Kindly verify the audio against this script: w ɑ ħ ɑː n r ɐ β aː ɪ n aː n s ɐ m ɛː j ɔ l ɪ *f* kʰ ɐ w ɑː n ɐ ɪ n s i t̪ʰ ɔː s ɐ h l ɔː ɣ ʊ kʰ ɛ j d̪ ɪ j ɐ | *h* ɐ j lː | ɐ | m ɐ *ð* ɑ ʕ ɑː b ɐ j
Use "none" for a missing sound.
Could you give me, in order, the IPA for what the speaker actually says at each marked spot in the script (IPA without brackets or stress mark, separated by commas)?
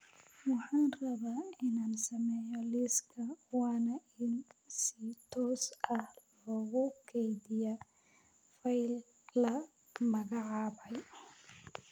s, f, ɣ